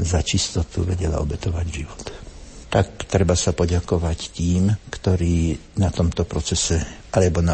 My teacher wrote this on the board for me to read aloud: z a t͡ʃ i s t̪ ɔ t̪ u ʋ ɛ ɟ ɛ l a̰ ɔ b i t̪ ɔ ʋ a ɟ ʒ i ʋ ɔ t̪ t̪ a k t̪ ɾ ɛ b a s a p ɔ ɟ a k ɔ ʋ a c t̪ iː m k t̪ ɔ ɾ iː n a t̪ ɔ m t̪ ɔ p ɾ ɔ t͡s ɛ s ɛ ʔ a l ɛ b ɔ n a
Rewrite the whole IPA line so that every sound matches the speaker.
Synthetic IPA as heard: z a t͡ʃ i s t̪ ɔ t̪ u ʋ ɛ ɟ ɛ l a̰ ɔ b ɛ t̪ ɔ ʋ a ɟ ʒ i ʋ ɔ t̪ t̪ a k t̪ ɾ ɛ b a s a p ɔ ɟ a k ɔ ʋ a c t̪ iː m k t̪ ɔ ɾ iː n a t̪ ɔ m t̪ ɔ p ɾ ɔ t͡s ɛ s ɛ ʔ a l ɛ b ɔ n a